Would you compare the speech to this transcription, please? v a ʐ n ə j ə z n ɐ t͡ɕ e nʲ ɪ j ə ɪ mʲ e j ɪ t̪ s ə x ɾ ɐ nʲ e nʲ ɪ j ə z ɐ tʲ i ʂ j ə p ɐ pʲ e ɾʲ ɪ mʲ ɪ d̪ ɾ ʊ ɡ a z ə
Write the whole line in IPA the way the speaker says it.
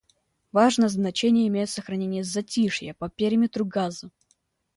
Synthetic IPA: v a ʐ n ə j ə z n ɐ t͡ɕ e nʲ ɪ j ə ɪ mʲ e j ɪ t̪ s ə x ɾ ɐ nʲ e nʲ ɪ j ə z ɐ tʲ i ʂ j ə p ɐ pʲ e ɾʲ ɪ mʲ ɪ t̪ ɾ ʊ ɡ a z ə